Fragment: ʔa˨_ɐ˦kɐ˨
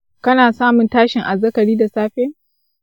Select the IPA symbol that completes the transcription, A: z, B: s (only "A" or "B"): A